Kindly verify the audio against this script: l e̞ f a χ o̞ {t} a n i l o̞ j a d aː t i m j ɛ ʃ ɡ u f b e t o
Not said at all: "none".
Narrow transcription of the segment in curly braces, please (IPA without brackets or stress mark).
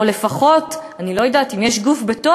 t